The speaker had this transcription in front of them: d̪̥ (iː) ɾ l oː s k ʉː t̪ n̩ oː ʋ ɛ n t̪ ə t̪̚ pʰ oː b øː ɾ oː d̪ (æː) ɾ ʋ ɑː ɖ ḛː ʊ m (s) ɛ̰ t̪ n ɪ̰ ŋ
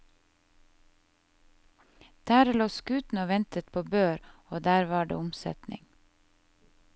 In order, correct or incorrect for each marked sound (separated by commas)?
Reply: incorrect, correct, correct